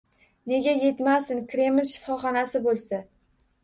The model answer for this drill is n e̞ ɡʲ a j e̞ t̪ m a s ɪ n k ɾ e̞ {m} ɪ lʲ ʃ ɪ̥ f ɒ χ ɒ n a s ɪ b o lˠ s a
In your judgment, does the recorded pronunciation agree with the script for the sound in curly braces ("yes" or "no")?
yes